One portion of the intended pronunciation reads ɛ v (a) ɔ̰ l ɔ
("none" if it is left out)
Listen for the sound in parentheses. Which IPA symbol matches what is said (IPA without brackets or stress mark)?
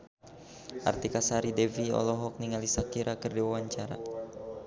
i